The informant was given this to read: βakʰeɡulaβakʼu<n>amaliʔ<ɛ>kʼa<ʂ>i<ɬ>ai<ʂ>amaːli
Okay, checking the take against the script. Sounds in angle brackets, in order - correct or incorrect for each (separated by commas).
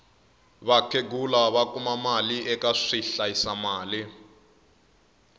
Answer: incorrect, correct, correct, correct, incorrect